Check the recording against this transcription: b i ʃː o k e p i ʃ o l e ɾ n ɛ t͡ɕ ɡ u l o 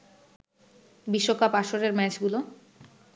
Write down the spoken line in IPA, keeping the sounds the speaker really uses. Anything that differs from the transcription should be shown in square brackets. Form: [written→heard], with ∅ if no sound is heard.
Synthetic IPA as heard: b i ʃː o k [e→a] p [i→a] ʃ o [l→ɾ] e ɾ [n→m] ɛ t͡ɕ ɡ u l o